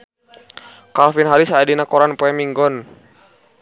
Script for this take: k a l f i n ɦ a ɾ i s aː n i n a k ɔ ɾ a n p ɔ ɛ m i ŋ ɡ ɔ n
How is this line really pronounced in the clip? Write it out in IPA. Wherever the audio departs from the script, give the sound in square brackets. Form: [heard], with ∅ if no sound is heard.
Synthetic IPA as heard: k a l f i n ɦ a ɾ i s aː [d] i n a k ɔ ɾ a n p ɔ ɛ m i ŋ ɡ ɔ n